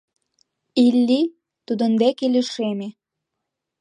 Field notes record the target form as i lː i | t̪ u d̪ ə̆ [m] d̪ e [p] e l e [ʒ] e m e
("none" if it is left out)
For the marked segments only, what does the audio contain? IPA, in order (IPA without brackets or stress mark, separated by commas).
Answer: n, k, ʃ